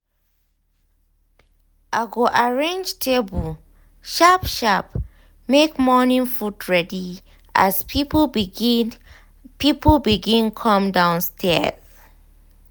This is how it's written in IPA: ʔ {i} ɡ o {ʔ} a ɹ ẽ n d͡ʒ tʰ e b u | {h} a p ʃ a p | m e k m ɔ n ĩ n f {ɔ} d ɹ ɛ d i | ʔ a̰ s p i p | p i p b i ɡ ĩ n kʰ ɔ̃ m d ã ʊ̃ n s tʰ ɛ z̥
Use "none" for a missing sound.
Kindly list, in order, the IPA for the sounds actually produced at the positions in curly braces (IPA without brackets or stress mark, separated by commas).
a, ʔ, ʃ, u